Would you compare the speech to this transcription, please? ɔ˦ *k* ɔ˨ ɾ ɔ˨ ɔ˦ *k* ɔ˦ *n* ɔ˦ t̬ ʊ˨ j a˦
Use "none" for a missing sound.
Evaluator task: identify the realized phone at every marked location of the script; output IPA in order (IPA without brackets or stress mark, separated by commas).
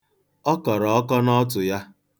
k, k, n